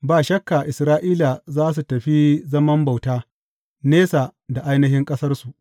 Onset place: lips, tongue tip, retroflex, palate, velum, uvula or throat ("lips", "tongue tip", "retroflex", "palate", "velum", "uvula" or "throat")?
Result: lips